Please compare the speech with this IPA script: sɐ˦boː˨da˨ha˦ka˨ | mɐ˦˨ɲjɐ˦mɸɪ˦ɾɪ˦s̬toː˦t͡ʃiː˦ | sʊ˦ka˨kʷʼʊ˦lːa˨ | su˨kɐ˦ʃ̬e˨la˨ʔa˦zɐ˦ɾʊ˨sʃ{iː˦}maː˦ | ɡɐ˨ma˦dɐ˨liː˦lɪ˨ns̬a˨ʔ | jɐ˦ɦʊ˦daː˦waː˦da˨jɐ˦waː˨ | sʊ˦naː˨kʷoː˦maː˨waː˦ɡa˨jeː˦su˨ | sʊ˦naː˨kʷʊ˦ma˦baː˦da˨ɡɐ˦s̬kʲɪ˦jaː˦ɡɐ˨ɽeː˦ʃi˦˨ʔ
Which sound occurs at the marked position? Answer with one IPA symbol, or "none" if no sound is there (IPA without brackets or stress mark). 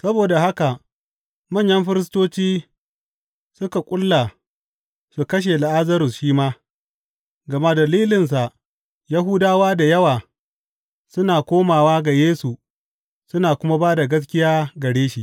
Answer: iː˦